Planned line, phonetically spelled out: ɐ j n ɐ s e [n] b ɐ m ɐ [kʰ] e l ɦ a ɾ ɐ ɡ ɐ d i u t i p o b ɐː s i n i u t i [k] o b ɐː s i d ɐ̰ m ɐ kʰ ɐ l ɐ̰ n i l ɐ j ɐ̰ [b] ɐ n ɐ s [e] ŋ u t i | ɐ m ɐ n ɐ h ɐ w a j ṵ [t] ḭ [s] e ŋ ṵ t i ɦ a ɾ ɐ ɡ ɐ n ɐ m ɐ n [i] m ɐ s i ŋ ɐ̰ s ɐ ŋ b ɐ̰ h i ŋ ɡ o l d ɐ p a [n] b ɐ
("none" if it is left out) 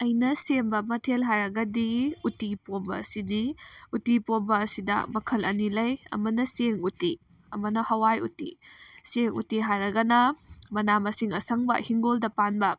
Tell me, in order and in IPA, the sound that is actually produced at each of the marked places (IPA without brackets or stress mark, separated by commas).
m, tʰ, p, m, e, t, s, a, n